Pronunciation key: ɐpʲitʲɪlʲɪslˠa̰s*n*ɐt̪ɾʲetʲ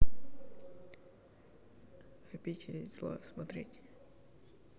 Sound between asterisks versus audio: incorrect: m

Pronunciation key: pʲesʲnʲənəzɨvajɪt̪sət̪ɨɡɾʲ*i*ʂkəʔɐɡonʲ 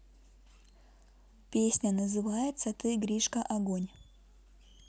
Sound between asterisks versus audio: correct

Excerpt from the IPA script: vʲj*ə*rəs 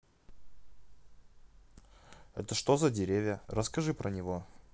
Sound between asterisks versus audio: correct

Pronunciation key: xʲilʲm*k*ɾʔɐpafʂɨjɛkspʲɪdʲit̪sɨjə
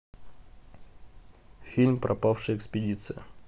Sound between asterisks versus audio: incorrect: p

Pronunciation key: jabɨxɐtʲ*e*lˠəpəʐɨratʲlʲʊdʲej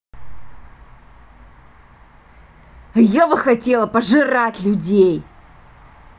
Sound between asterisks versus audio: correct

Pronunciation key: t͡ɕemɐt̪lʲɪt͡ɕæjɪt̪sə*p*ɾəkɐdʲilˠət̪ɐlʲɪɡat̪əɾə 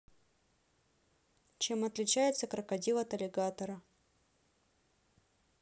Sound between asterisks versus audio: incorrect: k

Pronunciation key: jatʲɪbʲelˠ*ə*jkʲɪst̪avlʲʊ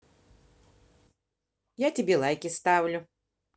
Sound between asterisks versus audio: incorrect: a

